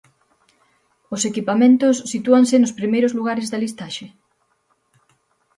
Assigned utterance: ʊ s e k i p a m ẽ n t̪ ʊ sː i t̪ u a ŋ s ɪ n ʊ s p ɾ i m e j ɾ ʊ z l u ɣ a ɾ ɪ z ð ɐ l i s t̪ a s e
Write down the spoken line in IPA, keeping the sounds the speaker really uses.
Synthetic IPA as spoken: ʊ s e k i p a m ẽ n t̪ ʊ sː i t̪ u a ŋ s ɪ n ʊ s p ɾ i m e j ɾ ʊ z l u ɣ a ɾ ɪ z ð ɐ l i s t̪ a ʃ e